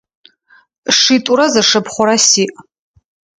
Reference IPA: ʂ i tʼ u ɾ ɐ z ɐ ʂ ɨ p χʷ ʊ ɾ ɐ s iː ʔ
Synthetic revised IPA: ʂ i tʼ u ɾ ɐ z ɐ ʂ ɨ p χʷ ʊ ɾ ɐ s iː ʔ